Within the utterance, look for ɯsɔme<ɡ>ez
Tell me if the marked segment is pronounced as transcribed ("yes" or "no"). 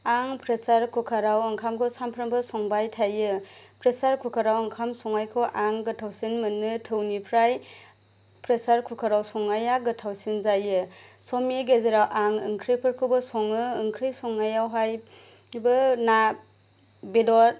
yes